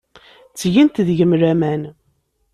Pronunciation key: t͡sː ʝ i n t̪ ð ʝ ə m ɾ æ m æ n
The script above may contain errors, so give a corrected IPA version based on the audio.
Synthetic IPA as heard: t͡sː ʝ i n t̪ ð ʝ ə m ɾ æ m æ n